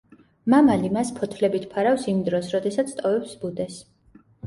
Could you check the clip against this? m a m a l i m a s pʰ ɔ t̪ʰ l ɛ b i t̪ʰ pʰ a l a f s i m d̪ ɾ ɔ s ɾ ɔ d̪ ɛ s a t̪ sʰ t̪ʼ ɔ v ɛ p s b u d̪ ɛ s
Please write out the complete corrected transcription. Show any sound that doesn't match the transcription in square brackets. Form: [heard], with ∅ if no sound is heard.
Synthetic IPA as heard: m a m a l i m a s pʰ ɔ t̪ʰ l ɛ b i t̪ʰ pʰ a [ɾ] a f s i m d̪ ɾ ɔ s ɾ ɔ d̪ ɛ s a t̪ sʰ t̪ʼ ɔ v ɛ p s b u d̪ ɛ s

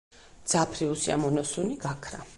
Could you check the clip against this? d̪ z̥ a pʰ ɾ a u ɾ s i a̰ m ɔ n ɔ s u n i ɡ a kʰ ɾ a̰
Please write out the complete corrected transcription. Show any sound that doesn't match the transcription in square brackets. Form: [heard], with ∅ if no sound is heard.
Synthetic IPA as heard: d̪ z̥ a pʰ ɾ [i] u [∅] s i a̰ m ɔ n ɔ s u n i ɡ a kʰ ɾ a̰

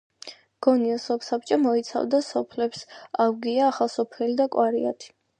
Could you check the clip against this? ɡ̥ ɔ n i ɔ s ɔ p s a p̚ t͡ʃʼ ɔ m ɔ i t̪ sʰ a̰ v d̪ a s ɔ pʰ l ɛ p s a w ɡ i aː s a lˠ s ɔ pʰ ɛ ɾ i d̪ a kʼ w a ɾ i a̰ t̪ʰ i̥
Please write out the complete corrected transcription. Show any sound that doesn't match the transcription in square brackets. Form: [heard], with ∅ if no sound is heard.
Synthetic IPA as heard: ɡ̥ ɔ n i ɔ s ɔ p s a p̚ t͡ʃʼ ɔ m ɔ i t̪ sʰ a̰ v d̪ a s ɔ pʰ l ɛ p s a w ɡ i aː [χ] a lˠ s ɔ pʰ ɛ [l] i d̪ a kʼ w a ɾ i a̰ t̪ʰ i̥

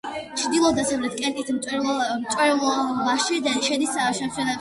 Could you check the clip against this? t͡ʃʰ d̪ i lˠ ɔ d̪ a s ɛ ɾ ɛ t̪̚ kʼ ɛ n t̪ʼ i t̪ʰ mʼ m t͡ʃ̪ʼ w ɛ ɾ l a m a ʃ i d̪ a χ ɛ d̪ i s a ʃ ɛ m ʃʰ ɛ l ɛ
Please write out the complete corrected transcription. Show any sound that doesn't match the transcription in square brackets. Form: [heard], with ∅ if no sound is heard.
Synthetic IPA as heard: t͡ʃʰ d̪ i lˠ ɔ d̪ a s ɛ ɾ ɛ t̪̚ kʼ ɛ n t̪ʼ i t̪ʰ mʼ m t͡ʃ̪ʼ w ɛ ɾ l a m a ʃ i d̪ a [ʃ] ɛ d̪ i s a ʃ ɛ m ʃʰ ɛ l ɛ

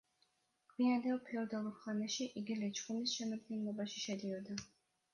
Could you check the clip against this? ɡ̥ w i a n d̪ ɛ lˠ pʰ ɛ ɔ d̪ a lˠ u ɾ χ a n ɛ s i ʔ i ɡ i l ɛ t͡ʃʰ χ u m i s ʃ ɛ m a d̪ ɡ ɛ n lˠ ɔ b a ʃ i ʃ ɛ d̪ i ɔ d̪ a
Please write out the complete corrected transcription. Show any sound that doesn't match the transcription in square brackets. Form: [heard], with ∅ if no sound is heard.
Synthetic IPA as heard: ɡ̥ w i a n d̪ ɛ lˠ pʰ ɛ ɔ d̪ a lˠ u ɾ χ a n ɛ [ʃ] i ʔ i ɡ i l ɛ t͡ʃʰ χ u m i s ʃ ɛ m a d̪ ɡ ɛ n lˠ ɔ b a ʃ i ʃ ɛ d̪ i ɔ d̪ a

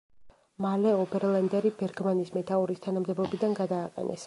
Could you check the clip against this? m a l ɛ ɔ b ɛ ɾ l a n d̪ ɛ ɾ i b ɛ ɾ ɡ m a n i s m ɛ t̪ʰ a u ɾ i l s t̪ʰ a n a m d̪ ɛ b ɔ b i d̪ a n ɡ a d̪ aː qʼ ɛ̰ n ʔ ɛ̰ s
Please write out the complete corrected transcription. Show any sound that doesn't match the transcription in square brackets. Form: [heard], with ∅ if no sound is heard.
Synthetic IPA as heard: m a l ɛ ɔ b ɛ ɾ l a n d̪ ɛ ɾ i b ɛ ɾ ɡ m a n i s m ɛ t̪ʰ a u ɾ i [∅] s t̪ʰ a n a m d̪ ɛ b ɔ b i d̪ a n ɡ a d̪ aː qʼ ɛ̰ n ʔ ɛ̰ s

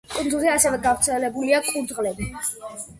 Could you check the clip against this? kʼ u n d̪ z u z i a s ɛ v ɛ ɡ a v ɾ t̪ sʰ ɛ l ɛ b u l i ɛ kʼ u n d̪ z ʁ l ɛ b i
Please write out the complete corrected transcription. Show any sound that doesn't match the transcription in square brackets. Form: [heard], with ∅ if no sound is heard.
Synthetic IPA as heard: kʼ u n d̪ z u z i a s ɛ v ɛ ɡ a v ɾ t̪ sʰ ɛ l ɛ b u l i [a] kʼ u n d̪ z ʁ l ɛ b i

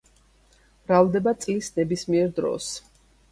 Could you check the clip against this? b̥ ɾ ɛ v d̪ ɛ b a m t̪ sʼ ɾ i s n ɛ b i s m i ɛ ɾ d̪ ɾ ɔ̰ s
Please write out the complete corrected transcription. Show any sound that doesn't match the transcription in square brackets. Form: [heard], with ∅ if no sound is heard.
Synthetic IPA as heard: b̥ ɾ [a] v d̪ ɛ b a [∅] t̪ sʼ [l] i s n ɛ b i s m i ɛ ɾ d̪ ɾ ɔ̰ s

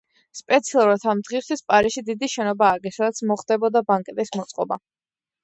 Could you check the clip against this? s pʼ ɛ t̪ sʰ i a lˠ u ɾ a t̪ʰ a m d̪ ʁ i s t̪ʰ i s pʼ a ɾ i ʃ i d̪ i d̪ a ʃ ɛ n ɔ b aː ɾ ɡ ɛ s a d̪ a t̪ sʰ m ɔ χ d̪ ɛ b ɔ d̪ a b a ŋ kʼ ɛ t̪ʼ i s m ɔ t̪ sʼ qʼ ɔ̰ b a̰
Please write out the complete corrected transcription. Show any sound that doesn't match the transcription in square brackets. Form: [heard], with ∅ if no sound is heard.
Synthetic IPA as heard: s pʼ ɛ t̪ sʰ i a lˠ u ɾ a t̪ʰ a m d̪ ʁ i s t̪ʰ i s pʼ a ɾ i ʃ i d̪ i d̪ [i] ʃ ɛ n ɔ b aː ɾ ɡ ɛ s a d̪ a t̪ sʰ m ɔ χ d̪ ɛ b ɔ d̪ a b a ŋ kʼ ɛ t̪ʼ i s m ɔ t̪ sʼ qʼ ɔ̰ b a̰

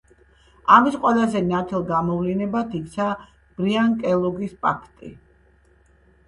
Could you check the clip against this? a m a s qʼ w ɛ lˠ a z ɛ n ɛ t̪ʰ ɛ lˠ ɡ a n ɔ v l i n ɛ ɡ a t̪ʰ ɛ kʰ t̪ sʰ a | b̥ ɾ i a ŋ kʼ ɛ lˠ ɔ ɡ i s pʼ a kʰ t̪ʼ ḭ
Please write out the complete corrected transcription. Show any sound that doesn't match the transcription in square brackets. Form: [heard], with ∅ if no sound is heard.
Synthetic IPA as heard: a m [i] s qʼ w ɛ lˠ a z ɛ n [a] t̪ʰ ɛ lˠ ɡ a [m] ɔ v l i n ɛ [b] a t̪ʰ [i] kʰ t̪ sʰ a | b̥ ɾ i a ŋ kʼ ɛ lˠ ɔ ɡ i s pʼ a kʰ t̪ʼ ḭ

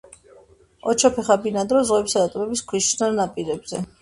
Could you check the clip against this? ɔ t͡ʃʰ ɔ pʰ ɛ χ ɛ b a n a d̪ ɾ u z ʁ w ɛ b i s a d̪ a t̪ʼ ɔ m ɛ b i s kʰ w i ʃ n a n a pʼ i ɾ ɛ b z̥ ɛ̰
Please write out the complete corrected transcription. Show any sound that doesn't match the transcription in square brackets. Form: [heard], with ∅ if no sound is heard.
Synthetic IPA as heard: ɔ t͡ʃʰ ɔ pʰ ɛ χ [a] b [i] n a d̪ ɾ [ɔ] z ʁ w ɛ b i s a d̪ a t̪ʼ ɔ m ɛ b i s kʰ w i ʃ n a n a pʼ i ɾ ɛ b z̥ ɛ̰

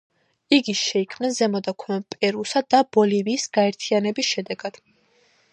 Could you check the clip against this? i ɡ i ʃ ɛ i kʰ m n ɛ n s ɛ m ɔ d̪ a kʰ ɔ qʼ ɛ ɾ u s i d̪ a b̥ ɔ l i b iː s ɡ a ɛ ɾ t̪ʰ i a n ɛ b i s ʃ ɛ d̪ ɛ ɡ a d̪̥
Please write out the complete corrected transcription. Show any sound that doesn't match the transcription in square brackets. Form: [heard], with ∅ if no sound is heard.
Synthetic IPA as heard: i ɡ i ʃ ɛ i kʰ m n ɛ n [z] ɛ m ɔ d̪ a kʰ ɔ [pʼ] ɛ ɾ u s [a] d̪ a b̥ ɔ l i [v] iː s ɡ a ɛ ɾ t̪ʰ i a n ɛ b i s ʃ ɛ d̪ ɛ ɡ a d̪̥

